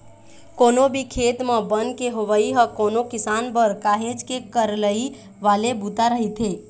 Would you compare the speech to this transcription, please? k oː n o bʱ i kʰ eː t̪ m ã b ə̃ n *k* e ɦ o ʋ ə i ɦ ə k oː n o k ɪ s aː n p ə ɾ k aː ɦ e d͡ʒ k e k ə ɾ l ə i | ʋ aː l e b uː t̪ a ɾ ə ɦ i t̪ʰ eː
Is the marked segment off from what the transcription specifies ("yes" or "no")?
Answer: no